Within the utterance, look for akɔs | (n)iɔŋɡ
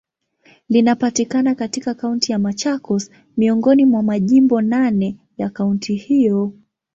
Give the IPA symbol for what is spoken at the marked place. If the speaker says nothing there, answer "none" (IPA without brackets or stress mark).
m